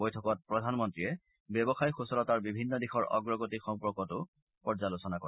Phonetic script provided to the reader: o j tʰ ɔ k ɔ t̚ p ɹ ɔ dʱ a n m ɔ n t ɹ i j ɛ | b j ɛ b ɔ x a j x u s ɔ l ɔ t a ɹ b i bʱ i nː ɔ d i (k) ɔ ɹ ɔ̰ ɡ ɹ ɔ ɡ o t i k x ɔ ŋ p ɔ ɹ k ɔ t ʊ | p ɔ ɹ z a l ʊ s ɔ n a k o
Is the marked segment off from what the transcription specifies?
yes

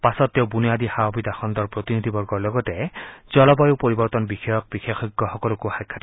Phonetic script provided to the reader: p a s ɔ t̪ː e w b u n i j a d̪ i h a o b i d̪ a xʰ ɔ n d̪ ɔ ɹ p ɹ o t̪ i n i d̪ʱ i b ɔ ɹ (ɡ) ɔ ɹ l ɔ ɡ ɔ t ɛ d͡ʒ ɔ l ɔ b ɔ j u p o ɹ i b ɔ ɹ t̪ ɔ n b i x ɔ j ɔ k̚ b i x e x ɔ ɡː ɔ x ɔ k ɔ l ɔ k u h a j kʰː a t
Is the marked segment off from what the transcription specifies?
no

